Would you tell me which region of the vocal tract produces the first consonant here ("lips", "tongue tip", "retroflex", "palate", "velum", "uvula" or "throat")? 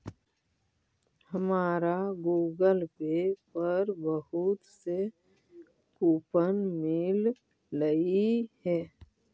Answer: throat